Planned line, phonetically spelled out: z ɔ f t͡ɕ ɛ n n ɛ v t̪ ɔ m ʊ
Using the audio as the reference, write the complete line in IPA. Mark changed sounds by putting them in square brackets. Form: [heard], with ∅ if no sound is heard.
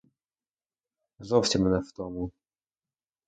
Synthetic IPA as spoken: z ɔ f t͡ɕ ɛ [m] n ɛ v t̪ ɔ m [u]

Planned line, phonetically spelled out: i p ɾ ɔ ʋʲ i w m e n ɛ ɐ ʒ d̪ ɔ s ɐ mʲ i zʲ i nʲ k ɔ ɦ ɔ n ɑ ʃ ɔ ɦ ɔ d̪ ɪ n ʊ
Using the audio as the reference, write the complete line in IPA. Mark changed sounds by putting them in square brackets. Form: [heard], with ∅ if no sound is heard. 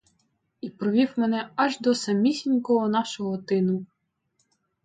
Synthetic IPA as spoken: i p ɾ ɔ ʋʲ i w m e n ɛ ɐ ʒ d̪ ɔ s ɐ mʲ i [sʲ] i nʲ k ɔ ɦ ɔ n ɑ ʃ ɔ ɦ ɔ [t̪] ɪ n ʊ

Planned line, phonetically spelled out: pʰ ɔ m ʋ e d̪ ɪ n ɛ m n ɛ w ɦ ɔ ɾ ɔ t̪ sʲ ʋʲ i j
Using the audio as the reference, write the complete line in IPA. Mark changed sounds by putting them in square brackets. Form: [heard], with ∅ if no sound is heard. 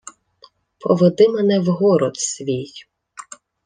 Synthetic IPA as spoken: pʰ ɔ [∅] ʋ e d̪ ɪ [m] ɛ [∅] n ɛ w ɦ ɔ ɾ ɔ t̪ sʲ ʋʲ i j

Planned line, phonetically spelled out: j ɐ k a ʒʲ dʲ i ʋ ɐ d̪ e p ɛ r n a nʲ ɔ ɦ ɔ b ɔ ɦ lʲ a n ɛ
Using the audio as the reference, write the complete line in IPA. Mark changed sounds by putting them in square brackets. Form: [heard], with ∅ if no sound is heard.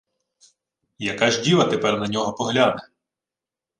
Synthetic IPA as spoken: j ɐ k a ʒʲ dʲ i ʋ ɐ [t̪] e p ɛ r n [ɐ] nʲ ɔ ɦ ɔ [p] ɔ ɦ lʲ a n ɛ

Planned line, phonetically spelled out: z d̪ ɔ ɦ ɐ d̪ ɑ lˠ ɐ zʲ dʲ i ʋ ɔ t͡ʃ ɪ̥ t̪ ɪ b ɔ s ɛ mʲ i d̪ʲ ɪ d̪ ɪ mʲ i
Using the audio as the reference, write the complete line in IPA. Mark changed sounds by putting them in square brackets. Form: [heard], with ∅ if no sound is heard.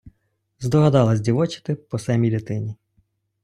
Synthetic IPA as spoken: z d̪ ɔ ɦ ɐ d̪ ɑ lˠ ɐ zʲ dʲ i ʋ ɔ t͡ʃ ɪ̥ t̪ ɪ [p] ɔ s ɛ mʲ i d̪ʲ ɪ [t̪] ɪ [nʲ] i

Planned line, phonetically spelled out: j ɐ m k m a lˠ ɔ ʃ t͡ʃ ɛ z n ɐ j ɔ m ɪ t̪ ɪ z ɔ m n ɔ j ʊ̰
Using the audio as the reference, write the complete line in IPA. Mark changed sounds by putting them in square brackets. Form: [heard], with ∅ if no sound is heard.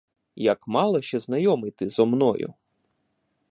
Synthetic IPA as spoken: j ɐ [∅] k m [ɑ] lˠ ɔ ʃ t͡ʃ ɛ z n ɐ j ɔ m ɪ t̪ ɪ z ɔ m n ɔ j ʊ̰

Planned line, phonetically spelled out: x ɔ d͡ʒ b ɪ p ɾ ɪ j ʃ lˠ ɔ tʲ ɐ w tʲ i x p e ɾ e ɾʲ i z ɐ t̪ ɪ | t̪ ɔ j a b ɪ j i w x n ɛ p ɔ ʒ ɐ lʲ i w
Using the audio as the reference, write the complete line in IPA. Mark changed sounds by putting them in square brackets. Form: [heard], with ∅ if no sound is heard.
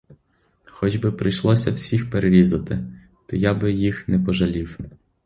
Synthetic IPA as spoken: x ɔ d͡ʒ b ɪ p ɾ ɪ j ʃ lˠ ɔ [sʲ] ɐ w [sʲ] i x p e ɾ e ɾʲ i z ɐ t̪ ɪ | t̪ ɔ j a b ɪ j i [∅] x n ɛ p ɔ ʒ ɐ lʲ i w

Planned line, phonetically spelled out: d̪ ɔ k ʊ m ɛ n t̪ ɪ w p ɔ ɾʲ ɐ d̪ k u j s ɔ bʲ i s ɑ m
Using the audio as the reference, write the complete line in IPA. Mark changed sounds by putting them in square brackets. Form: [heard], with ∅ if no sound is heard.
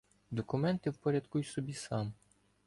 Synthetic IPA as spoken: d̪ ɔ k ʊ m ɛ n t̪ ɪ w p ɔ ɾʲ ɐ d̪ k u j s ɔ bʲ i s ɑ m

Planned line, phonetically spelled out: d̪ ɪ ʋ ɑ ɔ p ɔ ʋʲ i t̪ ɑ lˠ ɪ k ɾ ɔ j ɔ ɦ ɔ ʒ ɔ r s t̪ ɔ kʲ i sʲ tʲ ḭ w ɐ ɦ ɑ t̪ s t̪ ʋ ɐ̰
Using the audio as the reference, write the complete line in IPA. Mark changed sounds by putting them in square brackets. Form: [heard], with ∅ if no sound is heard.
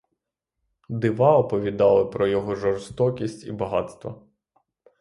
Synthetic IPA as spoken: d̪ ɪ ʋ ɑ ɔ p ɔ ʋʲ i [d̪] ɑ lˠ ɪ [p] ɾ ɔ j ɔ ɦ ɔ ʒ ɔ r s t̪ ɔ kʲ i sʲ tʲ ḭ [b] ɐ ɦ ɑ t̪ s t̪ ʋ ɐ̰

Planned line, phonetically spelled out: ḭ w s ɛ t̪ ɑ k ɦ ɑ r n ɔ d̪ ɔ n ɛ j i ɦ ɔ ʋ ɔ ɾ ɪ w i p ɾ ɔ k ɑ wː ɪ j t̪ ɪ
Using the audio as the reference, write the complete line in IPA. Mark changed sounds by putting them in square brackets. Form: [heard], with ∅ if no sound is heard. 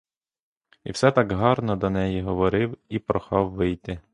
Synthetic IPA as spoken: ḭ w s ɛ t̪ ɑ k ɦ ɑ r n ɔ d̪ ɔ n ɛ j i ɦ ɔ ʋ ɔ ɾ ɪ w i p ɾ ɔ [x] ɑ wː ɪ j t̪ ɪ

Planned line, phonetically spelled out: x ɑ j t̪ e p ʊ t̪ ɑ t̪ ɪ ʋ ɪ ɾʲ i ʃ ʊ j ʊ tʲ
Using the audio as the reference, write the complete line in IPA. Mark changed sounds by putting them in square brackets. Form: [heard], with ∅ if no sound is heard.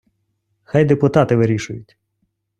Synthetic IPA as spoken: x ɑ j [d̪] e p ʊ t̪ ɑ t̪ ɪ ʋ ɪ ɾʲ i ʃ ʊ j ʊ tʲ

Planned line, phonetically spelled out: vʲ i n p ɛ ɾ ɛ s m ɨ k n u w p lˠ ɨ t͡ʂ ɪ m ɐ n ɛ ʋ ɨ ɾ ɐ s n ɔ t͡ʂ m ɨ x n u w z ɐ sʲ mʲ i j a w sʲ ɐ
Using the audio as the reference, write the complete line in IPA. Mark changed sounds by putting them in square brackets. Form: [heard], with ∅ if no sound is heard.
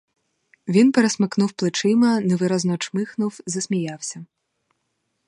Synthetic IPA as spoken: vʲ i n p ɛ ɾ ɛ s m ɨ k n u w p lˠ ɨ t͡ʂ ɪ m ɐ n ɛ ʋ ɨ ɾ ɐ [z] n ɔ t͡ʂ m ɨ x n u w z ɐ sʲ mʲ i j a w sʲ ɐ

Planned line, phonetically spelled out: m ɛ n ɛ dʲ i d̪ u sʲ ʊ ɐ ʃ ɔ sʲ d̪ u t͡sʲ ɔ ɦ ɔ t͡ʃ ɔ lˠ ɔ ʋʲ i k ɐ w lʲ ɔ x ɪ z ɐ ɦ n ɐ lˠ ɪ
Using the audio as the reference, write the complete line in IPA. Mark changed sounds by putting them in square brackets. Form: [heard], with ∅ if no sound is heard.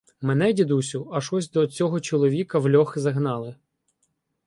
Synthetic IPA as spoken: m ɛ n ɛ dʲ i d̪ u sʲ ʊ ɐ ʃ ɔ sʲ d̪ [ɔ] t͡sʲ ɔ ɦ ɔ t͡ʃ ɔ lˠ ɔ ʋʲ i k ɐ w lʲ ɔ x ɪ z ɐ ɦ n [ɑ] lˠ ɪ

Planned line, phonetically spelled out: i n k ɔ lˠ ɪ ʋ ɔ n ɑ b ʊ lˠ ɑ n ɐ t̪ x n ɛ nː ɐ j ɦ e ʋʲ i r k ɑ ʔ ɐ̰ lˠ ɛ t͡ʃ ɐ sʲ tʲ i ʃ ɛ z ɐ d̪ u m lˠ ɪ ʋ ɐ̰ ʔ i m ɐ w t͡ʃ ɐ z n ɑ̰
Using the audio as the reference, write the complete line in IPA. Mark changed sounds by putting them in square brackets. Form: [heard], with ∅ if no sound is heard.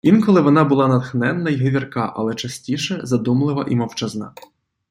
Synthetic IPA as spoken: i n k ɔ lˠ ɪ ʋ ɔ n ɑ b ʊ lˠ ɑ n ɐ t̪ x n ɛ nː ɐ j ɦ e ʋʲ i r k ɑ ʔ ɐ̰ lˠ ɛ t͡ʃ ɐ sʲ tʲ i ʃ ɛ z ɐ d̪ u m lˠ ɪ ʋ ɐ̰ ʔ i m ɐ w t͡ʃ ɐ z n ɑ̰

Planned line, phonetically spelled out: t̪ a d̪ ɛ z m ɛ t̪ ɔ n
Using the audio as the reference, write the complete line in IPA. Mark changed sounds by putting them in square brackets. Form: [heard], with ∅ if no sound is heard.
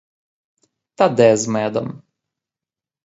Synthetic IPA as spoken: t̪ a d̪ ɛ z m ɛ [d̪] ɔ [m]

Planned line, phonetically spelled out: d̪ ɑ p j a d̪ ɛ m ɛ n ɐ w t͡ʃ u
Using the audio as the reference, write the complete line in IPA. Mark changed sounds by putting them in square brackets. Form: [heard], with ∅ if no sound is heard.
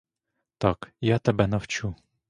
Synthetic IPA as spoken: [t̪] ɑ [k] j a [t̪] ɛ [b] ɛ n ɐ w t͡ʃ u

